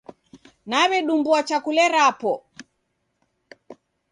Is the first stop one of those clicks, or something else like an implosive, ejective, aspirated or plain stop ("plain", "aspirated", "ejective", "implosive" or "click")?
implosive